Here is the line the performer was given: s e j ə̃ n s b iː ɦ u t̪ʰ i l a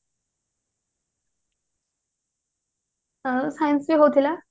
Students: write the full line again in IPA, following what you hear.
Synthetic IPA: s a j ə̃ n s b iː ɦ o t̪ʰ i l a